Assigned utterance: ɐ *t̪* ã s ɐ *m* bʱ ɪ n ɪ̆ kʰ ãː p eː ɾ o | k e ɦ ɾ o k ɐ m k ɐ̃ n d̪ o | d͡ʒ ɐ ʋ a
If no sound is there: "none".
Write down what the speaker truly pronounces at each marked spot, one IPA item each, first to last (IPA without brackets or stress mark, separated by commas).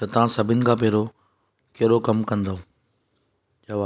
t̪, none